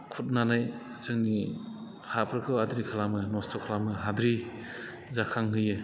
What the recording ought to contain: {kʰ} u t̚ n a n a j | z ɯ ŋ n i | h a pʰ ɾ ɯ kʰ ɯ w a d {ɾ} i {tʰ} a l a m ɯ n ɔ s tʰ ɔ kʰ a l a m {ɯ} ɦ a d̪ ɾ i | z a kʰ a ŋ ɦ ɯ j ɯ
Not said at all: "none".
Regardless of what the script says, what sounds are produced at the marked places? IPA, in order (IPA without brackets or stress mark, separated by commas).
kʰ, ɾ, kʰ, ɯ